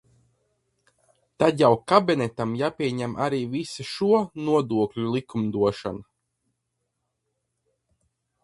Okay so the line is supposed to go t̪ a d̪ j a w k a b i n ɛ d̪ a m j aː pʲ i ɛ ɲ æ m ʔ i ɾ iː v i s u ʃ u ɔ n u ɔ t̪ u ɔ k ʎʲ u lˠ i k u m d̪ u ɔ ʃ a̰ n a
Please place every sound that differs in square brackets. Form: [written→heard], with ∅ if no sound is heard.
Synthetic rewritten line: t̪ a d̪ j a w k a b i n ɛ [d̪→t̪] a m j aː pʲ i ɛ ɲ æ m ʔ [i→a] ɾ iː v i s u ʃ u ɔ n u ɔ [t̪→d̪] u ɔ k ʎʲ u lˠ i k u m d̪ u ɔ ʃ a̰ n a